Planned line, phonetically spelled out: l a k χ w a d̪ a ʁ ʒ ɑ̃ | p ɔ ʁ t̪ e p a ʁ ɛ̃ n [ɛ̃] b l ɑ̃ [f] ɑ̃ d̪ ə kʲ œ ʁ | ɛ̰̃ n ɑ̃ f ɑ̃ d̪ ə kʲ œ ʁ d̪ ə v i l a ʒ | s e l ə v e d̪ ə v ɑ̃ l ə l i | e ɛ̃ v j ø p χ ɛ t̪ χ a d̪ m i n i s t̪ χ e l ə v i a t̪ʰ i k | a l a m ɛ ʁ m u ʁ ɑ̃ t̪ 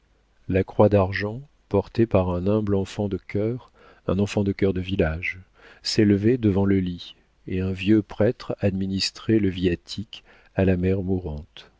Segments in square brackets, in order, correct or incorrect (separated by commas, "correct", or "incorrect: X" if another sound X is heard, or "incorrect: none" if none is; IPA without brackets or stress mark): correct, correct